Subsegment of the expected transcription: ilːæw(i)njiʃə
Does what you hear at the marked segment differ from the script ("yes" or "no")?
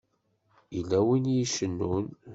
no